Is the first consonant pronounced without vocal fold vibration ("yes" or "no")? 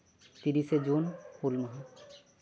yes